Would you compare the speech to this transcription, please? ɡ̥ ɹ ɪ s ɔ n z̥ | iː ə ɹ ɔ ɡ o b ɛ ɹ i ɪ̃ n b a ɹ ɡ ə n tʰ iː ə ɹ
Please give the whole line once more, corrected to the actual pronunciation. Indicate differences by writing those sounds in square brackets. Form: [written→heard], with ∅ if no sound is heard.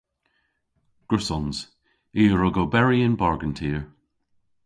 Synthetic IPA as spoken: ɡ̥ ɹ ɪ s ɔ n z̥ | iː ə ɹ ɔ ɡ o b ɛ ɹ i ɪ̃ n b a ɹ ɡ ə n tʰ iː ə ɹ